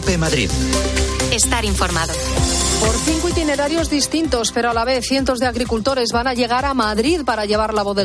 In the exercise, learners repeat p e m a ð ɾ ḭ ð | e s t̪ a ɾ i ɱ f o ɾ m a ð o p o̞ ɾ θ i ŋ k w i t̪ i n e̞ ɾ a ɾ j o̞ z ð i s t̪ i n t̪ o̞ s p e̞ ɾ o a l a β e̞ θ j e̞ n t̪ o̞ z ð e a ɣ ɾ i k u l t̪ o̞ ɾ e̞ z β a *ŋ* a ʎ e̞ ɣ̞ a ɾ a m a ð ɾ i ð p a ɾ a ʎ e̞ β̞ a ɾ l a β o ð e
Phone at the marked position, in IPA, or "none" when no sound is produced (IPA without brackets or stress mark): n